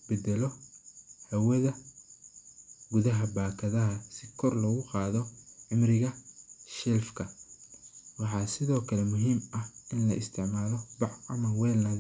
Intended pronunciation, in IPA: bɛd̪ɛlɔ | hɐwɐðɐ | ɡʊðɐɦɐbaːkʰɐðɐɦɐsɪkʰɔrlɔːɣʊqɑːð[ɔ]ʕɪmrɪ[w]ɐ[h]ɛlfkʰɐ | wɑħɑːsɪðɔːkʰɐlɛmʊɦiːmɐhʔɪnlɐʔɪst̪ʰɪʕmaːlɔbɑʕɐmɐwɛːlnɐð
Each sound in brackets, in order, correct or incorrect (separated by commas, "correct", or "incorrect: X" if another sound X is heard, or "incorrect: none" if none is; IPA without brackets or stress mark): correct, incorrect: ɣ, incorrect: ʃ